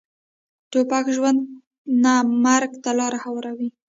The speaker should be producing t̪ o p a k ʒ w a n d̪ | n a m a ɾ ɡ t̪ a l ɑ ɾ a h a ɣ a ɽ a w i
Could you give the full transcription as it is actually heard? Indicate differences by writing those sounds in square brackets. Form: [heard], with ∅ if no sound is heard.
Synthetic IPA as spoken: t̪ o p a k ʒ w a n d̪ | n a m a ɾ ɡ t̪ a l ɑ ɾ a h a [w] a [ɾ] a w i